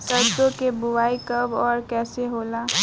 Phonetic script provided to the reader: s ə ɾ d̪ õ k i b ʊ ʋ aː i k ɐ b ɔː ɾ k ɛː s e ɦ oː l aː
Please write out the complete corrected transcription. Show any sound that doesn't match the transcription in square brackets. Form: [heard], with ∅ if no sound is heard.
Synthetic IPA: s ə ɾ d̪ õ k [e] b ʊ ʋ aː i k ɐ b ɔː ɾ k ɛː s e ɦ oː l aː